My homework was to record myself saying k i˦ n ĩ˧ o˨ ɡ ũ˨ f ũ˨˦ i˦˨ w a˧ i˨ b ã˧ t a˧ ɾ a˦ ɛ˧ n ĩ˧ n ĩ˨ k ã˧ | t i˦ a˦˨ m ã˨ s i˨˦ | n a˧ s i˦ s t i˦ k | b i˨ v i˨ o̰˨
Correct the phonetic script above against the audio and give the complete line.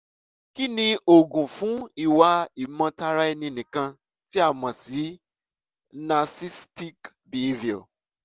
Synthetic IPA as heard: k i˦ n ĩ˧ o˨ ɡ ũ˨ f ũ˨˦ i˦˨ w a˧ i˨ m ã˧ t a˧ ɾ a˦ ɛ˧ n ĩ˧ n ĩ˨ k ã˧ | t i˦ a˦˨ m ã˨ s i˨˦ | n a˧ s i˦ s t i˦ k | b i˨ v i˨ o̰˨